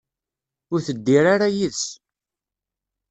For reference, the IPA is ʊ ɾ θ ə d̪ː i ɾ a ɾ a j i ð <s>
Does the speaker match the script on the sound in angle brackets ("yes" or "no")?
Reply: yes